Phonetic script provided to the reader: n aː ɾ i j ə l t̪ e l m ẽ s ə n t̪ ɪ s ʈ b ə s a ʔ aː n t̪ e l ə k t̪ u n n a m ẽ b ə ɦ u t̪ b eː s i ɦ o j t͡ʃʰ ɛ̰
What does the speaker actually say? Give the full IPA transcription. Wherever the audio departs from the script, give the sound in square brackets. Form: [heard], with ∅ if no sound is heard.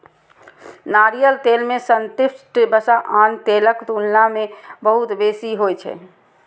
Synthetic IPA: n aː ɾ i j ə l t̪ e l m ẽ s ə n t̪ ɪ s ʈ b ə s a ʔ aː n t̪ e l ə k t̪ u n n a m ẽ b ə ɦ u t̪ b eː s i ɦ o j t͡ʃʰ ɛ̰